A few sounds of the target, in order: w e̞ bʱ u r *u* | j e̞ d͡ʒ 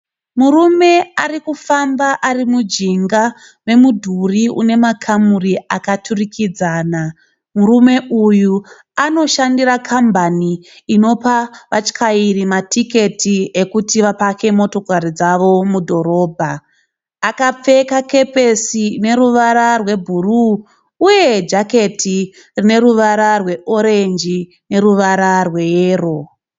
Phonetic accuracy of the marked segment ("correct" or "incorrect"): incorrect